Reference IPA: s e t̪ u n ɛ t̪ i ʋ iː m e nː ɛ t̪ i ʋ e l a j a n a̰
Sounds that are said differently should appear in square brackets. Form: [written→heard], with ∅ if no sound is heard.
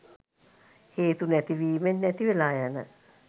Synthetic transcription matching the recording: [s→h] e t̪ u n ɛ t̪ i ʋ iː m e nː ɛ t̪ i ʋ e l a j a n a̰